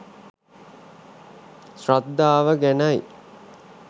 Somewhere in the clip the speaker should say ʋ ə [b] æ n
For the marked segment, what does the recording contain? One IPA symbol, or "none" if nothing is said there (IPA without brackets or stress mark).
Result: ɡ